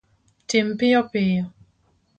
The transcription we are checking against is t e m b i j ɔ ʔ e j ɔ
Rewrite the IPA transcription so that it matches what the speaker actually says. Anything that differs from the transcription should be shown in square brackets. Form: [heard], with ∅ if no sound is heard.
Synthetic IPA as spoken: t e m [p] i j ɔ [p] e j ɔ

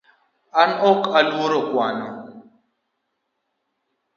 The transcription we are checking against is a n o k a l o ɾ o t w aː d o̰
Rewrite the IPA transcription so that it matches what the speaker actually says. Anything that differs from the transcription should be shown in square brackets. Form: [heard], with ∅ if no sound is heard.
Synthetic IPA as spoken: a n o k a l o ɾ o [k] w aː [n] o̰

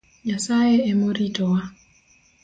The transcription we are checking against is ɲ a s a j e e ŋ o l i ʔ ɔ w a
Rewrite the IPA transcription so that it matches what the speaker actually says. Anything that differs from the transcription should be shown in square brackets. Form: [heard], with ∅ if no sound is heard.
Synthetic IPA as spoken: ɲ a s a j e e [m] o [ɾ] i [t] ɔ w a

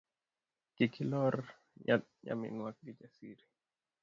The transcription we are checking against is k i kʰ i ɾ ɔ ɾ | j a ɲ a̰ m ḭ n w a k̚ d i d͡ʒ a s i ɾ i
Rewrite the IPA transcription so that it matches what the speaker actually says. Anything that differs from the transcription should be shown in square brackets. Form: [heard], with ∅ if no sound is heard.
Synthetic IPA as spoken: k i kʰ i [l] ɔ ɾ | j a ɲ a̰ m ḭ n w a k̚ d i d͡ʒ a s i ɾ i

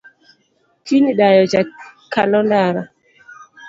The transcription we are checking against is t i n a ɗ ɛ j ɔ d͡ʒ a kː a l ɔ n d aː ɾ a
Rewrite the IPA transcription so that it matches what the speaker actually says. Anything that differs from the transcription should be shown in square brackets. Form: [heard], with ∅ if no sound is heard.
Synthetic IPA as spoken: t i n [i] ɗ [a] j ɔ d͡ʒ a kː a l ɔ n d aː ɾ a

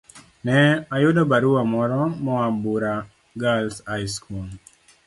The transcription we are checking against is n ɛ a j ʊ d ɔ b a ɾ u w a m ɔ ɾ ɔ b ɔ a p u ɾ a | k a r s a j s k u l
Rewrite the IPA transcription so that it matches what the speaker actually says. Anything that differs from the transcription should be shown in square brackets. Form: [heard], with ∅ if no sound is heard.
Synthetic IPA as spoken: n ɛ a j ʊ d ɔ b a ɾ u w a m ɔ ɾ ɔ [m] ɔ a [b] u ɾ a | [ɡ] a [l] s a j s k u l

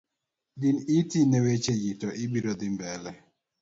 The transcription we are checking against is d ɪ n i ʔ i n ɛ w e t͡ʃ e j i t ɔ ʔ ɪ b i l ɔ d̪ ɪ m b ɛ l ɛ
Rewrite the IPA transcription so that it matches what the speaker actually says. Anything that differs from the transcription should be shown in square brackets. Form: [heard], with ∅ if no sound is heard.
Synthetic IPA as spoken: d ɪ n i [t] i n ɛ w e t͡ʃ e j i t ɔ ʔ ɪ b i [ɾ] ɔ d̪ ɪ m b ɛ l ɛ

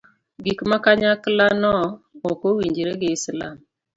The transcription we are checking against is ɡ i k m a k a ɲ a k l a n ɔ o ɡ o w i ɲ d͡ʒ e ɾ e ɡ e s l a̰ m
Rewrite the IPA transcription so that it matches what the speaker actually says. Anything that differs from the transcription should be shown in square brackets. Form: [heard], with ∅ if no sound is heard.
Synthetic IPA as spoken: ɡ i k m a k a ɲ a k l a n ɔ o [k] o w i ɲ d͡ʒ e ɾ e ɡ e s l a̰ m

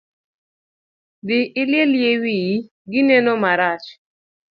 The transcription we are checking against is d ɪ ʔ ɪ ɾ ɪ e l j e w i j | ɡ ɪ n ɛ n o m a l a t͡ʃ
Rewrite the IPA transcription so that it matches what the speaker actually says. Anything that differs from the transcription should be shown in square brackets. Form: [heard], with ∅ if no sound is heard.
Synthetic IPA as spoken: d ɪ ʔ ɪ [l] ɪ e l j e w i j | ɡ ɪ n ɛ n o m a [ɾ] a t͡ʃ

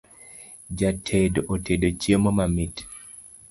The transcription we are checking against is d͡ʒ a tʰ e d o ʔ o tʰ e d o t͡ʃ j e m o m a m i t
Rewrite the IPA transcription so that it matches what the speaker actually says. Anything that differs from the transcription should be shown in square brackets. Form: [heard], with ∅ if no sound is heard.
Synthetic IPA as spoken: d͡ʒ a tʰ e d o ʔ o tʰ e d o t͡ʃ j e m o m a m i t

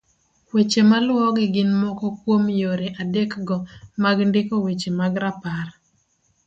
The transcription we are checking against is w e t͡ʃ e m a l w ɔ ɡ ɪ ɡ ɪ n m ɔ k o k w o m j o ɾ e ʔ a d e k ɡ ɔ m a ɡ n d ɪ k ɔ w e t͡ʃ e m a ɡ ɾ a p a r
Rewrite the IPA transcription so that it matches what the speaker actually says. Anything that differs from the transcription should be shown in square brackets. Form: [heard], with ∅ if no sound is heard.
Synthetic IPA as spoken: w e t͡ʃ e m a l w ɔ ɡ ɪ ɡ ɪ n m ɔ k [ɔ] k w o m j o ɾ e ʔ a d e k ɡ ɔ m a ɡ n d ɪ k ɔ w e t͡ʃ e m a ɡ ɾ a p a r

